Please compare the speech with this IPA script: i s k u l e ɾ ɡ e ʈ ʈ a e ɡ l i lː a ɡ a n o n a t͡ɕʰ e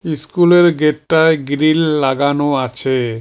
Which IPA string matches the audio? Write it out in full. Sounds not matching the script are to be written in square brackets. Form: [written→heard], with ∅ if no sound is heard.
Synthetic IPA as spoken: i s k u l e ɾ ɡ e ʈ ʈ a e ɡ [l→ɾ] i lː a ɡ a n o [n→∅] a t͡ɕʰ e